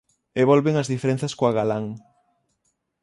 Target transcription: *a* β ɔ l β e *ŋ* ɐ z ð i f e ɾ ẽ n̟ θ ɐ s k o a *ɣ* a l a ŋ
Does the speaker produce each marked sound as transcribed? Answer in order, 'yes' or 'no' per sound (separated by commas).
no, yes, yes